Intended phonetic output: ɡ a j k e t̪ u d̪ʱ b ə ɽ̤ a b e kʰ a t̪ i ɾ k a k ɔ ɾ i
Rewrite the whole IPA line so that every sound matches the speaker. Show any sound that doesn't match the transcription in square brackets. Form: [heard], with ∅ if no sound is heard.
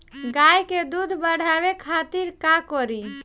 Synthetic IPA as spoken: ɡ a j k e [d̪] u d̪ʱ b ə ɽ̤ a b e kʰ a t̪ i ɾ k a k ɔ ɾ i